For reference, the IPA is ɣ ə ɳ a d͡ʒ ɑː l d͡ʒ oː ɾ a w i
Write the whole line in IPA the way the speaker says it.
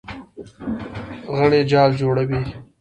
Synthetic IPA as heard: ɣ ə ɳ e d͡ʒ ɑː l d͡ʒ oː ɽ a w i

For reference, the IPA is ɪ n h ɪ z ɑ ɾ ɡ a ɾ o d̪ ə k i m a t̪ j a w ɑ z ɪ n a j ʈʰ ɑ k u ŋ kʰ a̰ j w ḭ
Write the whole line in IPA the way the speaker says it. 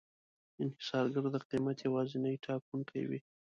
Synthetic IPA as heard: ɪ n h ɪ s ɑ ɾ ɡ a ɾ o d̪ ə q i m a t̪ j a w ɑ z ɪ n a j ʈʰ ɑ k u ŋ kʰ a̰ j w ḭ

